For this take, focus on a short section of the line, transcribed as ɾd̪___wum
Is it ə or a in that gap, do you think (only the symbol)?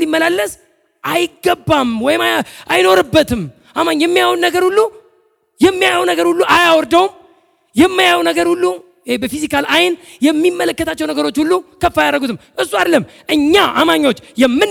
ə